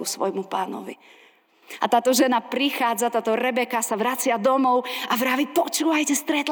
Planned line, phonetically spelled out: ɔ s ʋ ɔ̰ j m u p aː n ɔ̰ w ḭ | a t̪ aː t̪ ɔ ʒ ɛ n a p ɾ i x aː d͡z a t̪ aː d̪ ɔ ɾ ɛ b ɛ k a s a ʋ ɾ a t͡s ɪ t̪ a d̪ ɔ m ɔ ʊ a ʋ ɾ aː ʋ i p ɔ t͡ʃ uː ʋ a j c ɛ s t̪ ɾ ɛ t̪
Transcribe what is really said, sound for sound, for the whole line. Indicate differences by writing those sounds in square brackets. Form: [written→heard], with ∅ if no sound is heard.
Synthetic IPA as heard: [ɔ→u] s ʋ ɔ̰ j m u p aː n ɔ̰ [w→ʋ] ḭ | a t̪ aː t̪ ɔ ʒ ɛ n a p ɾ i x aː d͡z a t̪ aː [d̪→t̪] ɔ ɾ ɛ b ɛ k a s a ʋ ɾ a t͡s ɪ [t̪→∅] a d̪ ɔ m ɔ ʊ a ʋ ɾ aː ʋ i p ɔ t͡ʃ uː ʋ a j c ɛ s t̪ ɾ ɛ t̪